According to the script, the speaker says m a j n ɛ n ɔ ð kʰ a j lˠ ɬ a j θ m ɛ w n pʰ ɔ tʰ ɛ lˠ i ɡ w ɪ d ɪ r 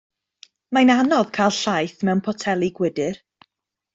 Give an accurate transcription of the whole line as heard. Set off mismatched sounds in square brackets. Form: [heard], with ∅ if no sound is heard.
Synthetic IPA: m a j n [a] n ɔ ð kʰ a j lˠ ɬ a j θ m ɛ w n pʰ ɔ tʰ ɛ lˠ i ɡ w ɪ d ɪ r